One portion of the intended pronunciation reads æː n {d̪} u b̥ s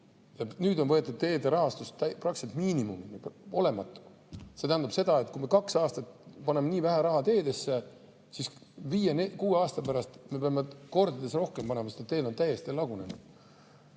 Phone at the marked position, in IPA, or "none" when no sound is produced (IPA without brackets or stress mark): d̪